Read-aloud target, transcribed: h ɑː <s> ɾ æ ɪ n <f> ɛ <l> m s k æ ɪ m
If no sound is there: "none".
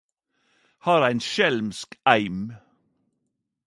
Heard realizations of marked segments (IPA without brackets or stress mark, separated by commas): none, ʃ, l